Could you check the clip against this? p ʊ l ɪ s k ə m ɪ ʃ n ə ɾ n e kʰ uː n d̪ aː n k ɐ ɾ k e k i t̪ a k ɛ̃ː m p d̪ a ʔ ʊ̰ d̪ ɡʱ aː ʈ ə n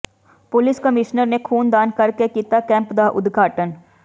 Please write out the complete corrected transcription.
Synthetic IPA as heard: p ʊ l ɪ s k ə m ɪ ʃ n ə ɾ n e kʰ uː n d̪ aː n k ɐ ɾ k e k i t̪ a k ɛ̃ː m p d̪ a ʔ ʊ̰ d̪ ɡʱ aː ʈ ə n